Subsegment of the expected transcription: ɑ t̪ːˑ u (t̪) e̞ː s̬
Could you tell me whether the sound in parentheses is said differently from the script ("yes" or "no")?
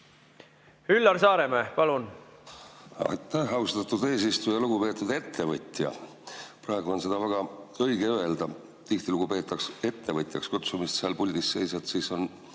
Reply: yes